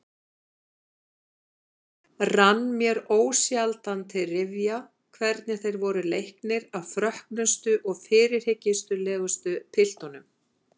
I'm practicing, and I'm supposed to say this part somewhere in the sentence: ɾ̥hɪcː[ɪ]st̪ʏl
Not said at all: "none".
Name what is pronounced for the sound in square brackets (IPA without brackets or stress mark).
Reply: ɪ